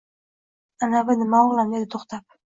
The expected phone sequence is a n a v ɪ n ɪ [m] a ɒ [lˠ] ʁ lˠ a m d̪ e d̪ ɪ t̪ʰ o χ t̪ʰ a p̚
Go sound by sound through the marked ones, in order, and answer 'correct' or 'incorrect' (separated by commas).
correct, incorrect